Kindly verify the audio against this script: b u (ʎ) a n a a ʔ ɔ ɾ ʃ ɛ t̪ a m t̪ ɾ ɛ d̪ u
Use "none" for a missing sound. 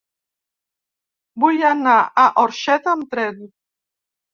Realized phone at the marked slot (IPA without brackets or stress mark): j